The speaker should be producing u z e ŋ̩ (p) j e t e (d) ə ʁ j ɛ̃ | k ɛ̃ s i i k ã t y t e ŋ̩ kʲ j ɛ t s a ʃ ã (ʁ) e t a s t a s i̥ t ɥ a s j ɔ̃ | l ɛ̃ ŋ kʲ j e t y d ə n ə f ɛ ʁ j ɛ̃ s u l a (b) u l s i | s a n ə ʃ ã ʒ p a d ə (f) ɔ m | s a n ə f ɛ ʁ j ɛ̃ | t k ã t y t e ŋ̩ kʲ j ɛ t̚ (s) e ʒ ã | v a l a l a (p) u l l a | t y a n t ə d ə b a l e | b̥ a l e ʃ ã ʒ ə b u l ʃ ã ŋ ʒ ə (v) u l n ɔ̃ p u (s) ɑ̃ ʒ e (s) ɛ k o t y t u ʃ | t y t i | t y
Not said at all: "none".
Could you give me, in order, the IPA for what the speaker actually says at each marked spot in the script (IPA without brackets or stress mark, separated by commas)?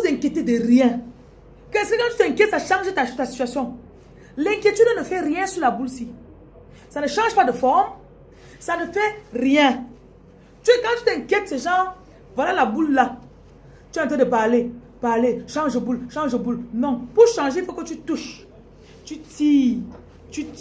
k, d, ʒ, b, f, s, b, b, ʃ, f